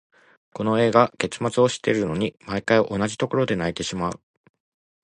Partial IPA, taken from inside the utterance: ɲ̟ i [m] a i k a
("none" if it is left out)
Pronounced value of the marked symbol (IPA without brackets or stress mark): m